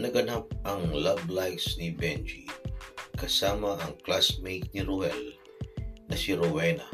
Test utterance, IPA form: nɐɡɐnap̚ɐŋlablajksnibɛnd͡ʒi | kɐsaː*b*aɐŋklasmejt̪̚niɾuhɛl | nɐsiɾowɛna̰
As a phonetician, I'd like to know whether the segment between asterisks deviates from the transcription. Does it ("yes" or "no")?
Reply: yes